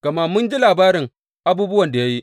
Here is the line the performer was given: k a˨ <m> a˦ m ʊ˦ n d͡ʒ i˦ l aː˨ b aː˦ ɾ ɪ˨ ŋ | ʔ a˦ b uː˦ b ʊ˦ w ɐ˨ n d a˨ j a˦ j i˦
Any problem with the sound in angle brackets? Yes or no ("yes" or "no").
no